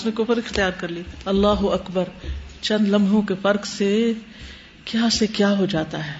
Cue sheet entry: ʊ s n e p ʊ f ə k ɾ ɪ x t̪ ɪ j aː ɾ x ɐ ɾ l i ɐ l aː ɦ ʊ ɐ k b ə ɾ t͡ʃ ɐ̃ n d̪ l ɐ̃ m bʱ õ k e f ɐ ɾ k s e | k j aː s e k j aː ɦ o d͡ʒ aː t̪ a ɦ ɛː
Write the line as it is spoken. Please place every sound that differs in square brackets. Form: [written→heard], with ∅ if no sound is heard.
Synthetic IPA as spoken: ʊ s n e [p→k] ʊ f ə [k→∅] ɾ ɪ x t̪ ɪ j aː ɾ [x→k] ɐ ɾ l i ɐ [l→lː] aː ɦ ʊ ɐ k b ə ɾ t͡ʃ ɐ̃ n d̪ l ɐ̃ m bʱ õ k e f ɐ ɾ k s e | k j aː s e k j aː ɦ o d͡ʒ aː t̪ a ɦ ɛː